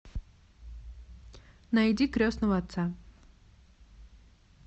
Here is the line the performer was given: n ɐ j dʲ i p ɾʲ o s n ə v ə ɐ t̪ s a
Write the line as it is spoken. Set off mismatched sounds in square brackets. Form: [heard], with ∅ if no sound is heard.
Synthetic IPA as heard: n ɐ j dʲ i [k] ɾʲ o s n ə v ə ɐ t̪ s a